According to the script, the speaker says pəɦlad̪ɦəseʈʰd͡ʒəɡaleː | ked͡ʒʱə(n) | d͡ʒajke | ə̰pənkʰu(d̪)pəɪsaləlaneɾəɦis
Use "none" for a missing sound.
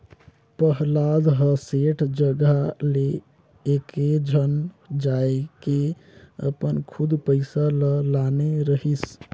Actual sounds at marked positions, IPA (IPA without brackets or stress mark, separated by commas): n, d̪